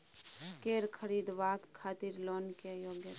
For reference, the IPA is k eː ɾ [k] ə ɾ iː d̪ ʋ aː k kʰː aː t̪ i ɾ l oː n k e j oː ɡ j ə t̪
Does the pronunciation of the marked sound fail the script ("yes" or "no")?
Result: yes